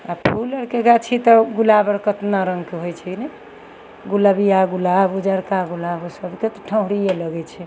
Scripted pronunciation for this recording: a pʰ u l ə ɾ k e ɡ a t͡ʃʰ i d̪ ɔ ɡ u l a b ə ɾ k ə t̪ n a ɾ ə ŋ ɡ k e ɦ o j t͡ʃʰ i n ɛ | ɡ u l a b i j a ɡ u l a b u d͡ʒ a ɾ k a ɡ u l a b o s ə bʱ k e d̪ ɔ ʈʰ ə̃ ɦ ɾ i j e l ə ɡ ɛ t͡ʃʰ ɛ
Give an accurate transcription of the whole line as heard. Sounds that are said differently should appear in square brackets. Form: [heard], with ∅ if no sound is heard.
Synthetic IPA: a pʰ u l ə ɾ k e ɡ a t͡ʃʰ i [t̪] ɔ ɡ u l a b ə ɾ k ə t̪ n a ɾ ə ŋ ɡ k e ɦ o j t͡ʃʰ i n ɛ | ɡ u l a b i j a ɡ u l a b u d͡ʒ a ɾ k a ɡ u l a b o s ə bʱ k e [t̪] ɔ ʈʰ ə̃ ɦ ɾ i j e l ə ɡ ɛ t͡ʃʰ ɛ